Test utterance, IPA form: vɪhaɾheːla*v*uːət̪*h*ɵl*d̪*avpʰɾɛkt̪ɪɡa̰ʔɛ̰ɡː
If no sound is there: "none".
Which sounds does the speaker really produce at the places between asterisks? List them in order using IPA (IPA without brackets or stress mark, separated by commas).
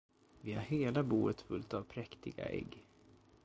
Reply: b, f, t̪